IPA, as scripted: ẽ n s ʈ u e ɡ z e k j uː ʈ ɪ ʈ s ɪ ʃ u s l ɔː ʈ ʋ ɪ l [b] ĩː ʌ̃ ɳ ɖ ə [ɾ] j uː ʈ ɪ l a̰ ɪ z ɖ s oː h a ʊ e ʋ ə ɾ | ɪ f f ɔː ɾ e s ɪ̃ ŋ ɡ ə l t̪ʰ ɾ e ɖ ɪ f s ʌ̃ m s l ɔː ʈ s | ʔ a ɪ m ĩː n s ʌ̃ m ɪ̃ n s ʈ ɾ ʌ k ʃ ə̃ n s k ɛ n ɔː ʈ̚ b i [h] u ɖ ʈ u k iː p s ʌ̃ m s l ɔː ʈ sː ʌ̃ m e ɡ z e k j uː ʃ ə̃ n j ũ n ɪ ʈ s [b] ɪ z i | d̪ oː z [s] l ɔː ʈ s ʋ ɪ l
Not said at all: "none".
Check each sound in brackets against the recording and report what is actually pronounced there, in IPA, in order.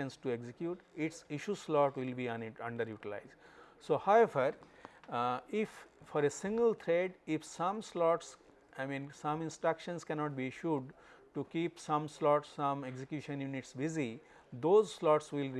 b, ɾ, ʃ, b, s

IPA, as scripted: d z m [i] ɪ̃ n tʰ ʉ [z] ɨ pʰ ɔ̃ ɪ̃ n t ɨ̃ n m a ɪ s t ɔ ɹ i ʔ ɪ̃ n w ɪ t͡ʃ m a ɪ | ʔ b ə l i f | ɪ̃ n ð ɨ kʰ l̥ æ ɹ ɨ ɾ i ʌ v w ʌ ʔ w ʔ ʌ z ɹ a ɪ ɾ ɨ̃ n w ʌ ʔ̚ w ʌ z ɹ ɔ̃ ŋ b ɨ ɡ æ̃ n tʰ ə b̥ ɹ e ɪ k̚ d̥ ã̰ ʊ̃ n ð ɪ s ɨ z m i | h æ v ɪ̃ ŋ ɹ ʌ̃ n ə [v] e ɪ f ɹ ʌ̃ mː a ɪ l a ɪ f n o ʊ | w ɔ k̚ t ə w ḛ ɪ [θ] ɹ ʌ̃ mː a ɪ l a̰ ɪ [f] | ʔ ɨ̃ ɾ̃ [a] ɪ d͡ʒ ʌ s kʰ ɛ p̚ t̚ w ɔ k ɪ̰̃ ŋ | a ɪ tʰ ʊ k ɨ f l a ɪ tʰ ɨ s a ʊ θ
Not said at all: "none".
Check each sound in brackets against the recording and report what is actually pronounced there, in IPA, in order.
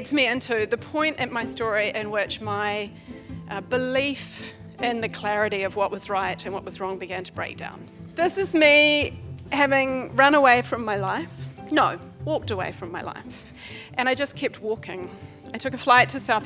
i, ð, w, f, f, a

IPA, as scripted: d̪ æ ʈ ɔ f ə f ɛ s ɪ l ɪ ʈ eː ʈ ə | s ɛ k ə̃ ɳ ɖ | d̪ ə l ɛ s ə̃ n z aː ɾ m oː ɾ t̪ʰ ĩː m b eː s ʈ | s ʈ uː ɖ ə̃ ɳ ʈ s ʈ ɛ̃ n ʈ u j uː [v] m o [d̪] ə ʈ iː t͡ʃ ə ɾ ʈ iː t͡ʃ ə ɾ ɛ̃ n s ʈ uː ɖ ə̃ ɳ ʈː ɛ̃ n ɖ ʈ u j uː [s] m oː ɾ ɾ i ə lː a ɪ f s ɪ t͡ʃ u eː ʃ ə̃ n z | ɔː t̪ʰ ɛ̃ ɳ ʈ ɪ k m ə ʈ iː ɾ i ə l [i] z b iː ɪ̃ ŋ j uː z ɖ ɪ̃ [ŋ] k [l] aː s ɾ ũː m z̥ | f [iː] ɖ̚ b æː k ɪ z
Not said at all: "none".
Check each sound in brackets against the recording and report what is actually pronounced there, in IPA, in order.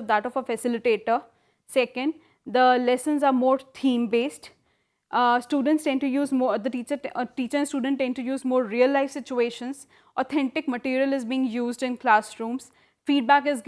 z, d̪, z, ɪ, n, l, iː

